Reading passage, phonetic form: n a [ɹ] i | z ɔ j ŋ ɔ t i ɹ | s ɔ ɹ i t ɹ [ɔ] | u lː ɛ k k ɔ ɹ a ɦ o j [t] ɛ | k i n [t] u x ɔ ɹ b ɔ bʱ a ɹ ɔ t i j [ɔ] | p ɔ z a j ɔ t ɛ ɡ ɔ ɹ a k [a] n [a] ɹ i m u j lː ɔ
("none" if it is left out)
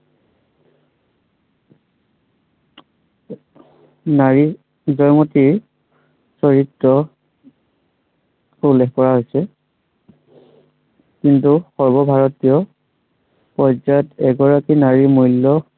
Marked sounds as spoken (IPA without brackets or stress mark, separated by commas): ɹ, ɔ, s, t, ɔ, i, a